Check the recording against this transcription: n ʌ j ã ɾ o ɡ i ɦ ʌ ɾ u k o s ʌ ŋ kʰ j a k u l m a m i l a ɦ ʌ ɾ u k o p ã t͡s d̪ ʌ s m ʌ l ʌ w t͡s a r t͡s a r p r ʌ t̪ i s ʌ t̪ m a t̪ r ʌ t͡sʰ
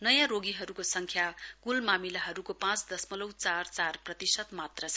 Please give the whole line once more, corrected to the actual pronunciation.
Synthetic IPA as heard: n ʌ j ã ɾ o ɡ i ɦ ʌ ɾ u k o s ʌ ŋ kʰ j a k u l m a m i l a ɦ ʌ ɾ u k o p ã t͡s d̪ ʌ s m ʌ l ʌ w t͡s a r t͡s a r p r ʌ t̪ i s ʌ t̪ m a t̪ r ʌ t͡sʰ